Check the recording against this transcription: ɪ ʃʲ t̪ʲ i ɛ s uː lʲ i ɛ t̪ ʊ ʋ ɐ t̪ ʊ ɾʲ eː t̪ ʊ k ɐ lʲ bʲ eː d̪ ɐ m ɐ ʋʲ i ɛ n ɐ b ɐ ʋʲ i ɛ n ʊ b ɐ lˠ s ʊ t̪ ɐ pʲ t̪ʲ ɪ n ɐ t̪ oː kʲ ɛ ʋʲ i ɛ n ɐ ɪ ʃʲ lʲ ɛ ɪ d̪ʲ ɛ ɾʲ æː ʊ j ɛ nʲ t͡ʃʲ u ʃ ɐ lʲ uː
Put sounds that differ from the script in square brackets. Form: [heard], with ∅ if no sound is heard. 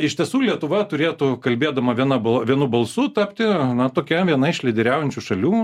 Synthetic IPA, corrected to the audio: ɪ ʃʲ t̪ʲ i ɛ s uː lʲ i ɛ t̪ ʊ ʋ ɐ t̪ ʊ ɾʲ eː t̪ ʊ k ɐ lʲ bʲ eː d̪ ɐ m ɐ ʋʲ i ɛ n ɐ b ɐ ʋʲ i ɛ n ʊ b ɐ lˠ s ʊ t̪ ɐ pʲ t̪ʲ ɪ n ɐ t̪ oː kʲ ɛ ʋʲ i ɛ n ɐ ɪ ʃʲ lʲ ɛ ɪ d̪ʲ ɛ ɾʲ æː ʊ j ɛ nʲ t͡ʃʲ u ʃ ɐ lʲ uː